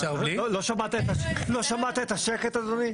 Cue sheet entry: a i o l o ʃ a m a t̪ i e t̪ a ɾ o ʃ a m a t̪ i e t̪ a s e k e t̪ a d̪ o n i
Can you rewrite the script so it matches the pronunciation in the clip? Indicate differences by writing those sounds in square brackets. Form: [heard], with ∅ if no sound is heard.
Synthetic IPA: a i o l o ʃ a m a t̪ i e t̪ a [l] o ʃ a m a t̪ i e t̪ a [ʃ] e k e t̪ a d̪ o n i